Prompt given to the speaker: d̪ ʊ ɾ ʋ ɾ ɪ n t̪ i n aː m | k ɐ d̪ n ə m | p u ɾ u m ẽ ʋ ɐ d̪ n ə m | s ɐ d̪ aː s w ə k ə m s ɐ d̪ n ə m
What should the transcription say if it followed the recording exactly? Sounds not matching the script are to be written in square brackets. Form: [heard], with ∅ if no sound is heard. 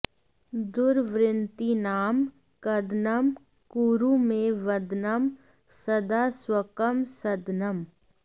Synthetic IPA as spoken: d̪ ʊ ɾ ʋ ɾ ɪ n t̪ i n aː m | k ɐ d̪ n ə m | [k] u ɾ u m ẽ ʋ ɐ d̪ n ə m | s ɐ d̪ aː s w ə k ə m s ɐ d̪ n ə m